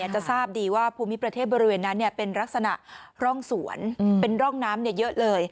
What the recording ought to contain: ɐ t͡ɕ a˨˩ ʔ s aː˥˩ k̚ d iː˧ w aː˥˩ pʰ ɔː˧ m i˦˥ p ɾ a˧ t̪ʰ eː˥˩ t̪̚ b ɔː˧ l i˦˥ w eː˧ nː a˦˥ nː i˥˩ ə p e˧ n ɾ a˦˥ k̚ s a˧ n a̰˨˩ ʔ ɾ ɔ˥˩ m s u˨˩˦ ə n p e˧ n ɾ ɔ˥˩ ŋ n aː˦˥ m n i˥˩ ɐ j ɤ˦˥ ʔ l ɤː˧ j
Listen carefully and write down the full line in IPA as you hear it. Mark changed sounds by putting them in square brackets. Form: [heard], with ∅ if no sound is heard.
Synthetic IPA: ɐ t͡ɕ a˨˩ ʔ s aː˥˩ [p̚] d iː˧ w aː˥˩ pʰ [uː˧] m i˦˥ p ɾ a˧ t̪ʰ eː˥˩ t̪̚ b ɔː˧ [ɾ] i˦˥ w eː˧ nː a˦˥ nː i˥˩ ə p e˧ n ɾ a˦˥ k̚ s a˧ n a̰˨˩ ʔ ɾ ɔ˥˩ [ŋ] s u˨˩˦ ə n p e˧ n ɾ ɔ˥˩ ŋ n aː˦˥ m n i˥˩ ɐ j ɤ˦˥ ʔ l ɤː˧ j